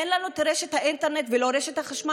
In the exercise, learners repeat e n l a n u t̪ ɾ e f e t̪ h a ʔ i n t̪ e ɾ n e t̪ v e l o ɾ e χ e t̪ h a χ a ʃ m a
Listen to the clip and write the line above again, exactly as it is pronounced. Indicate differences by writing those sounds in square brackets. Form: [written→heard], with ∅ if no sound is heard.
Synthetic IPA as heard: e n l a n u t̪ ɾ e [f→ʃ] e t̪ h a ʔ i n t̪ e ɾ n e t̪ v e l o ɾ e [χ→ʃ] e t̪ h a χ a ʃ m a